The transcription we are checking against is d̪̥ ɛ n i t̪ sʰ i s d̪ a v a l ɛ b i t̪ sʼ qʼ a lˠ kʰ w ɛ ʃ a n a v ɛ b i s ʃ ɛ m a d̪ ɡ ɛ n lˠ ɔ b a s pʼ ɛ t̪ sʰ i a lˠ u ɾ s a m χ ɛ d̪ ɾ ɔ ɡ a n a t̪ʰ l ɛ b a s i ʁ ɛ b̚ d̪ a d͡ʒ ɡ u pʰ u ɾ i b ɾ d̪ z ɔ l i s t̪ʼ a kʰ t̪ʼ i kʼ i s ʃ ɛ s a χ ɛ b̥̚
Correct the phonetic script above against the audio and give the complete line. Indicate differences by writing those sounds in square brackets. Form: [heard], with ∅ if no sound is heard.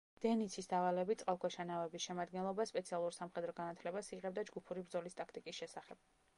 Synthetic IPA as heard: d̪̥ ɛ n i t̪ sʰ i s d̪ a v a l ɛ b i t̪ sʼ qʼ a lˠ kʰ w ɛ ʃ a n a v ɛ b i s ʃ ɛ m a d̪ ɡ ɛ n lˠ ɔ b a s pʼ ɛ t̪ sʰ i a lˠ u ɾ s a m χ ɛ d̪ ɾ ɔ ɡ a n a t̪ʰ l ɛ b a s i ʁ ɛ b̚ d̪ a d͡ʒ ɡ u pʰ u ɾ i b ɾ d̪ z ɔ l i s t̪ʼ a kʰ t̪ʼ i kʼ i s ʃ ɛ s a χ ɛ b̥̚